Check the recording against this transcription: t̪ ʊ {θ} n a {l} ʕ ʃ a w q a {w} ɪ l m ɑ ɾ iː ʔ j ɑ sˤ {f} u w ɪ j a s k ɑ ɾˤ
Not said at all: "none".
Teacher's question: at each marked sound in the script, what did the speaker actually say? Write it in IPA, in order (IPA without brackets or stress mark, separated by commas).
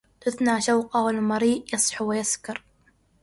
θ, none, w, ħ